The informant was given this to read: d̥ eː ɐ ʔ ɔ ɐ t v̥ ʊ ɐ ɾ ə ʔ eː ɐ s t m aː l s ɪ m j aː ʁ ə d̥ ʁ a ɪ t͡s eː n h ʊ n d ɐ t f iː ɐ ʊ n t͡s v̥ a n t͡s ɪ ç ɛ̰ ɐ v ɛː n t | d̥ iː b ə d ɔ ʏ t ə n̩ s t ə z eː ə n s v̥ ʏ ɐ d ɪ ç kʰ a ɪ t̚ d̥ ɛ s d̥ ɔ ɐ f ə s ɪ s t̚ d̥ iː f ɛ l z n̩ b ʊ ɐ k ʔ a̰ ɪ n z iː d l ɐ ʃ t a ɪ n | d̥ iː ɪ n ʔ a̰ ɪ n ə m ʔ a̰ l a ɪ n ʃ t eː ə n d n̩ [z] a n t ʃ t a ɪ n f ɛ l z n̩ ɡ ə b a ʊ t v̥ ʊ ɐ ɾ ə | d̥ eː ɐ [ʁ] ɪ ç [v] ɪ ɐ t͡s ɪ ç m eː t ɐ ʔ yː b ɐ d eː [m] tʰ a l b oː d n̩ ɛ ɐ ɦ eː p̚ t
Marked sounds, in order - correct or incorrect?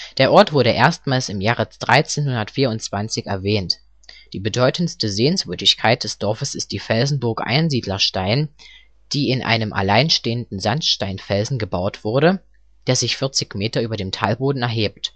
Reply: correct, incorrect: z, incorrect: f, correct

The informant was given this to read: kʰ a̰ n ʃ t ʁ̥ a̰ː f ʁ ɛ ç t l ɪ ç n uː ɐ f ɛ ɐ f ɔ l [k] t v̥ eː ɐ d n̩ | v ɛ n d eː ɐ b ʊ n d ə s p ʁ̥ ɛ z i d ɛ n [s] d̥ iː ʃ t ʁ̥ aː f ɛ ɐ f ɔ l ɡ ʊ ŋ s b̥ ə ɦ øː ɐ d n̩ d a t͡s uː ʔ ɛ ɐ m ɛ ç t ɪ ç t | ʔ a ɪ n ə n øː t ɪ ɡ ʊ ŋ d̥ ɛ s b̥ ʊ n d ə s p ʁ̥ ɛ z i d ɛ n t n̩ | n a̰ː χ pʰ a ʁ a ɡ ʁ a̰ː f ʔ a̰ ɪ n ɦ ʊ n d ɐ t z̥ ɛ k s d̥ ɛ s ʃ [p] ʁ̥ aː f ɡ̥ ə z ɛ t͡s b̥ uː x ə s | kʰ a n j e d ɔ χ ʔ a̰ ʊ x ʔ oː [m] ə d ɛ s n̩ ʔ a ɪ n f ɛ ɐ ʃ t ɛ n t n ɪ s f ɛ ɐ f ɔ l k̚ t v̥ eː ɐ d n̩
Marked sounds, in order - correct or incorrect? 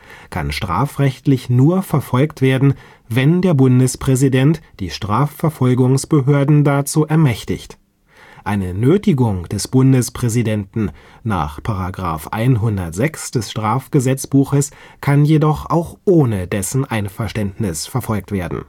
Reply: correct, incorrect: t, incorrect: t, incorrect: n

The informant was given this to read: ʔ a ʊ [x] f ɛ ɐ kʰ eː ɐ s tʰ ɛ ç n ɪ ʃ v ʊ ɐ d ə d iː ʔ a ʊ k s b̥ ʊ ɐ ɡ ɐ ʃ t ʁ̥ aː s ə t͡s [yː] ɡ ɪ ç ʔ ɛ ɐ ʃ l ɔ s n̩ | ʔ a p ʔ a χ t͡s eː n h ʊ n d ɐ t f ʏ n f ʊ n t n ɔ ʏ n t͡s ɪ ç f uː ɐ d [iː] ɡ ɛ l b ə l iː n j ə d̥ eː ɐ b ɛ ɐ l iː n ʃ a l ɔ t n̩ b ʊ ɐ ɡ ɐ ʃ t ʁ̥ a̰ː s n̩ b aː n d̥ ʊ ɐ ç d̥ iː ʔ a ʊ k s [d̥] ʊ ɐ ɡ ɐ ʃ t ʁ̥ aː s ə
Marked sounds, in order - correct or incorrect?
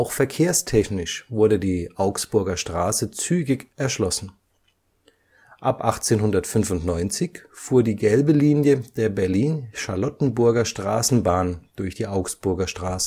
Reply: correct, correct, correct, incorrect: b̥

